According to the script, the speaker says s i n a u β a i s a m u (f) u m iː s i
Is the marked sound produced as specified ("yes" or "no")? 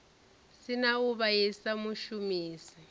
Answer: no